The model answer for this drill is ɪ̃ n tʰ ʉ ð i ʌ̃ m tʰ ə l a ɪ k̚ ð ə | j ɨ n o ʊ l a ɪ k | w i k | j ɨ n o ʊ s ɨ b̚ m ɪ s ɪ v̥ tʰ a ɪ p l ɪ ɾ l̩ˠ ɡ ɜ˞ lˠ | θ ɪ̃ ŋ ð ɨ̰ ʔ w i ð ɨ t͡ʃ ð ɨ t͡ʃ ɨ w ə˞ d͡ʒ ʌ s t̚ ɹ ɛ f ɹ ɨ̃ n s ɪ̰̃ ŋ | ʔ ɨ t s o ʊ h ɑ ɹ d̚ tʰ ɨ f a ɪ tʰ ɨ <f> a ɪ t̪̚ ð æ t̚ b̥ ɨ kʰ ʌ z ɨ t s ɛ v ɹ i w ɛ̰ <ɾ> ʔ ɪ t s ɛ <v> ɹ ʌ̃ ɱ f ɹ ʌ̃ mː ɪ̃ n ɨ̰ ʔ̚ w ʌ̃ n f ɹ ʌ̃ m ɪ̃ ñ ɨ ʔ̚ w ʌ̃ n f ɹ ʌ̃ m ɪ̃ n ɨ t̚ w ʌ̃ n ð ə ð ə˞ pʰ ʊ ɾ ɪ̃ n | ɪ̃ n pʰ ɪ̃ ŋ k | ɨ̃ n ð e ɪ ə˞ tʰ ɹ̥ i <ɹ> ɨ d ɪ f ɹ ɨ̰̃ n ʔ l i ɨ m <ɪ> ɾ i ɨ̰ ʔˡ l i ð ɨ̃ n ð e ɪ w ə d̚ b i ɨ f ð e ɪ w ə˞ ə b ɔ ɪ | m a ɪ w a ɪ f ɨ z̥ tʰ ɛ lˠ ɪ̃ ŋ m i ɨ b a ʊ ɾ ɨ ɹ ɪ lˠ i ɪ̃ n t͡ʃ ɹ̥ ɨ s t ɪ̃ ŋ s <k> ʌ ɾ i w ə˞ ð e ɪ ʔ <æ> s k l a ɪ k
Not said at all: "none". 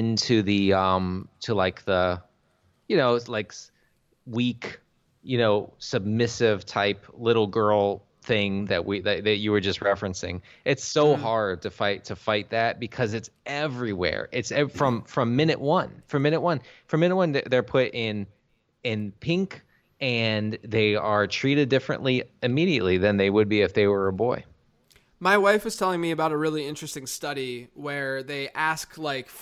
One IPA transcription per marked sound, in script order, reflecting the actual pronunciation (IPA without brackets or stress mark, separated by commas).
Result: f, ɹ, f, ɾ, i, t, æ